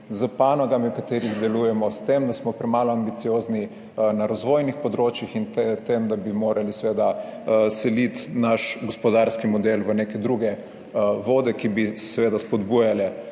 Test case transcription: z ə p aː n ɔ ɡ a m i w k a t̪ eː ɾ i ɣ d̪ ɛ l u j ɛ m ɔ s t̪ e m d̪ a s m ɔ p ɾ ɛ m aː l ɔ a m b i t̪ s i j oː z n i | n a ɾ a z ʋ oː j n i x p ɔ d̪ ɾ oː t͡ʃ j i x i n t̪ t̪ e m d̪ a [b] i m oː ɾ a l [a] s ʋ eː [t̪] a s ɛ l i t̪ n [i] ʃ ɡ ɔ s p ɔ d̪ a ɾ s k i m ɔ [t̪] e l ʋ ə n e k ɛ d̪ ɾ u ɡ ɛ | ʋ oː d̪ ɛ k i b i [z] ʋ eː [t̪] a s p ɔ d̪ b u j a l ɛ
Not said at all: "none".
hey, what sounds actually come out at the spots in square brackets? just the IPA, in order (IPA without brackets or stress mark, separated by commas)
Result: b, i, d̪, a, d̪, s, d̪